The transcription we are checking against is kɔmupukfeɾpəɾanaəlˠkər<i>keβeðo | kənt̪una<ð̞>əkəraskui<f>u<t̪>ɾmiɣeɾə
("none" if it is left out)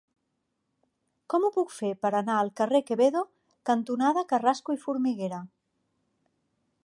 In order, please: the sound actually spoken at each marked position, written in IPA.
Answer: e, ð̞, f, none

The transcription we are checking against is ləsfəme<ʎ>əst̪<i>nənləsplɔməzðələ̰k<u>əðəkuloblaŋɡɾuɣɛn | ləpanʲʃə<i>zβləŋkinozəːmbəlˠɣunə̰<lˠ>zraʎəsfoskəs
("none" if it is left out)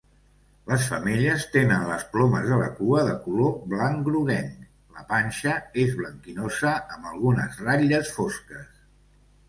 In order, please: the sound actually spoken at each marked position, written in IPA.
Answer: ʎ, e, u, e, none

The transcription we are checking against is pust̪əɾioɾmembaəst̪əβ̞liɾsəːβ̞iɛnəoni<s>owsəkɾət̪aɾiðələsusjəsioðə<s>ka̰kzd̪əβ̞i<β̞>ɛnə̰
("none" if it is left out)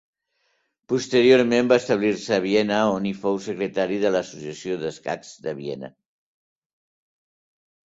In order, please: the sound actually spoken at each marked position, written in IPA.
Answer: f, s, none

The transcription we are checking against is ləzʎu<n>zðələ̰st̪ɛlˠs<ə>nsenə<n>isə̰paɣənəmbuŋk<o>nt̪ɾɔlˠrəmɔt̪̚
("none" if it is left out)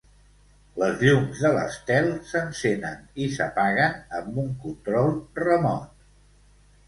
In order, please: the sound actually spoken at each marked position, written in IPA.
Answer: m, ə, n, u

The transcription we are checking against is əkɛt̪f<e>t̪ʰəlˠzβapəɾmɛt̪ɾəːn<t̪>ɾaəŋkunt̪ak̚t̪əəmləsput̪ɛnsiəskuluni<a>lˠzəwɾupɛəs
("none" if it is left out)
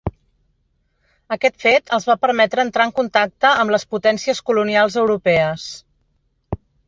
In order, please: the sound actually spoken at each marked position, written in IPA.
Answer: e, t̪, a

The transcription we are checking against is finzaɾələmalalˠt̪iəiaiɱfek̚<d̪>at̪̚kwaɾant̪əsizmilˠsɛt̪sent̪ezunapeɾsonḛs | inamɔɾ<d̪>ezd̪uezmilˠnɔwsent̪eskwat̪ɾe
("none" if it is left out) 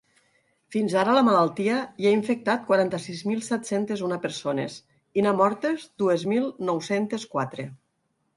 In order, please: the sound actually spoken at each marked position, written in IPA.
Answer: t̪, t̪

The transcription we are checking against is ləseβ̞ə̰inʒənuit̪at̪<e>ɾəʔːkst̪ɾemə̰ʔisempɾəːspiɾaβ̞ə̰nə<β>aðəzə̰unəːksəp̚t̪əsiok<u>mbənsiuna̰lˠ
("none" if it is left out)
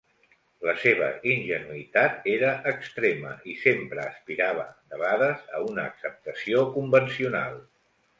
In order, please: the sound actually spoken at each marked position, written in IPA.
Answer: e, β, u

